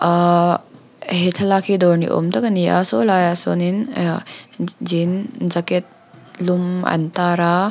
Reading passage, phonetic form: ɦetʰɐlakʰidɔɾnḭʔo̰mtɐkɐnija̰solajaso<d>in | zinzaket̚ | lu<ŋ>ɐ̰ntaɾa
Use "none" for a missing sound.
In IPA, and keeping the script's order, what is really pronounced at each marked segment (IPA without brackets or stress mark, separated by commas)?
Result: n, m